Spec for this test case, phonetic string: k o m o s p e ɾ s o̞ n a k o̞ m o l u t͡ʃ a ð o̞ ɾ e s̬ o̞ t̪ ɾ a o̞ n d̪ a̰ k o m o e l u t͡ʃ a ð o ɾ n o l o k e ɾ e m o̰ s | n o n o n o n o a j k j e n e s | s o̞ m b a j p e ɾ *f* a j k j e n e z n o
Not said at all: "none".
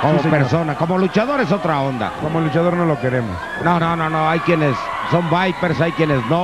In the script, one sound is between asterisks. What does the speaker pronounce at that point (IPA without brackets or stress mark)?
s